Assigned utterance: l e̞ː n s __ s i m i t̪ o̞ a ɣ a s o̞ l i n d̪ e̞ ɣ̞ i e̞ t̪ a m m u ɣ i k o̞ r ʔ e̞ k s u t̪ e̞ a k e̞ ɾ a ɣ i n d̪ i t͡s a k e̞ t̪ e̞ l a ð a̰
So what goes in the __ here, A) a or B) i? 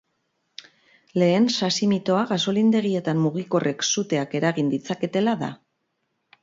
A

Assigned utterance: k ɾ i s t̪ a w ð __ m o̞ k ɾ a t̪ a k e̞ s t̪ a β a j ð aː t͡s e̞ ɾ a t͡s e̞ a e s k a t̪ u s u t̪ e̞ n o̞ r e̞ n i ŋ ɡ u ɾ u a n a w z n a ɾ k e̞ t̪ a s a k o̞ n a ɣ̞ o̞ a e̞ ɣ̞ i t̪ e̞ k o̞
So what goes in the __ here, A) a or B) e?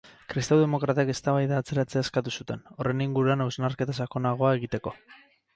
B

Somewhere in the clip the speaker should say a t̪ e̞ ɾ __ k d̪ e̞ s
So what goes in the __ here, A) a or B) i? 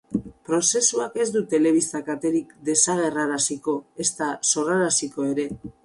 B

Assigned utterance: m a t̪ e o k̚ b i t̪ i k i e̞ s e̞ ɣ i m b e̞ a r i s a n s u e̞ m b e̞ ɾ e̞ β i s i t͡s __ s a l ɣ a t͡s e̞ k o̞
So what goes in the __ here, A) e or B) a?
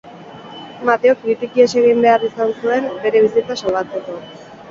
B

